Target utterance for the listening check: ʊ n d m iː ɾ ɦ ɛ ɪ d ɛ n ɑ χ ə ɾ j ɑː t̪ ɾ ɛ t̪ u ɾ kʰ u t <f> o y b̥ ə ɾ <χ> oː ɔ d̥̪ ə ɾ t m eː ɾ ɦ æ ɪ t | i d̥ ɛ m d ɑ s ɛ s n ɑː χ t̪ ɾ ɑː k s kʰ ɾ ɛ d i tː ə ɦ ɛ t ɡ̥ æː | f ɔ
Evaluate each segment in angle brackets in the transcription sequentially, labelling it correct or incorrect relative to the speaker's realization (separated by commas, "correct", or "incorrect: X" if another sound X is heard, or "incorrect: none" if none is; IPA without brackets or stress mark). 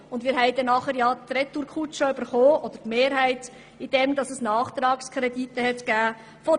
incorrect: ʃ, correct